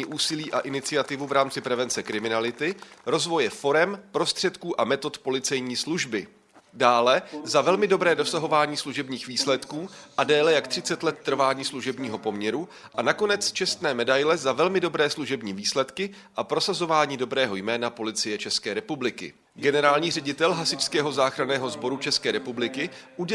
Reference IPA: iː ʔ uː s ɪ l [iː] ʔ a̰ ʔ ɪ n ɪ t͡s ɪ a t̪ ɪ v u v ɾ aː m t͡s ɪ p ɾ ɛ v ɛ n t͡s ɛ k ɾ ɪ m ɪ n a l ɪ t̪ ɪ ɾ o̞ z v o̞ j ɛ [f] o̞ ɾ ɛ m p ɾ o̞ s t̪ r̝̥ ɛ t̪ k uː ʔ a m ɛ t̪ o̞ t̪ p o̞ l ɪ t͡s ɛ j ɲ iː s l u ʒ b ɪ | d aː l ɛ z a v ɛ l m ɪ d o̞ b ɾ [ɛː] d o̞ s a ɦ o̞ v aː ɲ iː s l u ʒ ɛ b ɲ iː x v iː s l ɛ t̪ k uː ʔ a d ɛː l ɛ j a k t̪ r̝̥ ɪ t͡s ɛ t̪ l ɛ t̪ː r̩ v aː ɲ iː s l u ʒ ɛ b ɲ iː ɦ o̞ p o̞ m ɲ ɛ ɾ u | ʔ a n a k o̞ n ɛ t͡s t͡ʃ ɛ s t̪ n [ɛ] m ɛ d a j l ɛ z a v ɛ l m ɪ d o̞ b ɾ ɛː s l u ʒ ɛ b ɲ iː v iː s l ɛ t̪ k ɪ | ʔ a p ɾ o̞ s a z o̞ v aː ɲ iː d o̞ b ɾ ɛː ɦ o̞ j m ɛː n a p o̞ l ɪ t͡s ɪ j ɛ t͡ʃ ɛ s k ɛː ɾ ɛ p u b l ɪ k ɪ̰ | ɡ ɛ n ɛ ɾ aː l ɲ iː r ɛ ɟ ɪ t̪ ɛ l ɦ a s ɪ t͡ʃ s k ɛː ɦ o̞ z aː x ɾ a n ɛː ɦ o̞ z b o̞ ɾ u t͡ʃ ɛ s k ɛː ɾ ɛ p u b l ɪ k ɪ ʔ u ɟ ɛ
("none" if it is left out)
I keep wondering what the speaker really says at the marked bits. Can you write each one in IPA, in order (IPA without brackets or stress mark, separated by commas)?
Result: iː, f, ɛː, ɛː